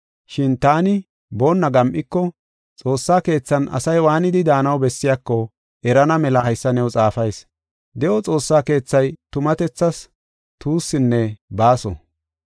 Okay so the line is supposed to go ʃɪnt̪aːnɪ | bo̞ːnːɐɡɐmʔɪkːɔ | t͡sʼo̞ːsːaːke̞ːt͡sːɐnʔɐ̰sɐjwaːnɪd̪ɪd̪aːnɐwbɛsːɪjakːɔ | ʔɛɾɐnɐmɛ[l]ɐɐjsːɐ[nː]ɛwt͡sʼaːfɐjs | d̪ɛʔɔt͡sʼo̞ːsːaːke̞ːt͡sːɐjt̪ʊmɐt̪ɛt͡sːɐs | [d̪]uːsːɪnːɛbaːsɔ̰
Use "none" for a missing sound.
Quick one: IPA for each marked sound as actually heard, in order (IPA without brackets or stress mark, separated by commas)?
l, n, t̪